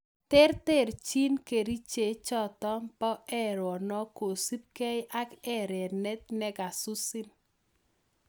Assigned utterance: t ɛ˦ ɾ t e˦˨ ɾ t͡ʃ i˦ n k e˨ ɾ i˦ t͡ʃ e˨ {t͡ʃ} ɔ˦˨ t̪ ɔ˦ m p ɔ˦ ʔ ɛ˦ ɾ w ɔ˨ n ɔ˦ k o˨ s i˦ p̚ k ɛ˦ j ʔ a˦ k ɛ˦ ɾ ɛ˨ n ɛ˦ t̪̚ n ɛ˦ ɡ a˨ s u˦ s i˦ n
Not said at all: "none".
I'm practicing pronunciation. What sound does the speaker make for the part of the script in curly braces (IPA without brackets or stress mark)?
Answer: t͡ʃ